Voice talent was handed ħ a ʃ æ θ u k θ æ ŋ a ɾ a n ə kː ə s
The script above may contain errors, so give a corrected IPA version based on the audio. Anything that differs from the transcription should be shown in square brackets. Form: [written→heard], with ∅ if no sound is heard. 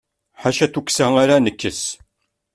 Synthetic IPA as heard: ħ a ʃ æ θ u k [θ→s] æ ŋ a ɾ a n ə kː ə s